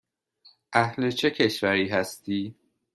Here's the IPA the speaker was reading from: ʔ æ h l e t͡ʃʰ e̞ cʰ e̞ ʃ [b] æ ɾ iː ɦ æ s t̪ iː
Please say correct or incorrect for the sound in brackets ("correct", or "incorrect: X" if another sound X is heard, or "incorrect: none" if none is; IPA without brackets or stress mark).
incorrect: v